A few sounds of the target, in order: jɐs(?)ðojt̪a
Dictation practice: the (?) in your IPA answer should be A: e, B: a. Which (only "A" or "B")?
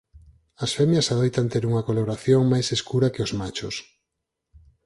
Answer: B